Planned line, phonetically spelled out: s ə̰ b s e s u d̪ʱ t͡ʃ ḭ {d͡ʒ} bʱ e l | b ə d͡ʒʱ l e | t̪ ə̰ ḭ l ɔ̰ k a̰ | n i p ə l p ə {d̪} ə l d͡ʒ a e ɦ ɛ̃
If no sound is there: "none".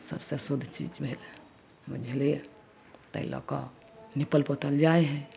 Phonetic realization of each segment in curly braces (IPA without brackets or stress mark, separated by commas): d͡ʒ, t̪